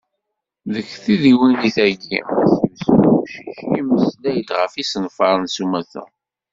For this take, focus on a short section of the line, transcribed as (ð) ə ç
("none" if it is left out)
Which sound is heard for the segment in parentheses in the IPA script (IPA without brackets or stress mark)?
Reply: ð